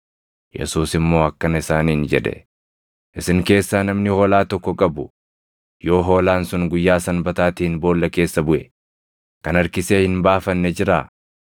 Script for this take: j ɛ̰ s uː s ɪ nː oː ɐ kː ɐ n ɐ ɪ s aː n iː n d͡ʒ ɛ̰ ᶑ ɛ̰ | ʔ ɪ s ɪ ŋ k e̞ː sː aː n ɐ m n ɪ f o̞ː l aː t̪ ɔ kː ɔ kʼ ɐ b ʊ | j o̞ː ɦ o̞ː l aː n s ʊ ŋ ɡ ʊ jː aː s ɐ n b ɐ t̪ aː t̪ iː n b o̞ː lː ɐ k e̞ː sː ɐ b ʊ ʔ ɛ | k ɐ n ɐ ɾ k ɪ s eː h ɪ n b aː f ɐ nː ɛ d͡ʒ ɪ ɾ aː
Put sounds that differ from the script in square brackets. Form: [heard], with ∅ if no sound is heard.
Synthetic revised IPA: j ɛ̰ s uː s ɪ [mː] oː ɐ kː ɐ n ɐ ɪ s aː n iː n d͡ʒ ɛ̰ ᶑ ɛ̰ | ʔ ɪ s ɪ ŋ k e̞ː sː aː n ɐ m n ɪ [h] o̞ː l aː t̪ ɔ kː ɔ kʼ ɐ b ʊ | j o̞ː ɦ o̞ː l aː n s ʊ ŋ ɡ ʊ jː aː s ɐ n b ɐ t̪ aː t̪ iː n b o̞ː lː ɐ k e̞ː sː ɐ b ʊ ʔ ɛ | k ɐ n ɐ ɾ k ɪ s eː h ɪ n b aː f ɐ nː ɛ d͡ʒ ɪ ɾ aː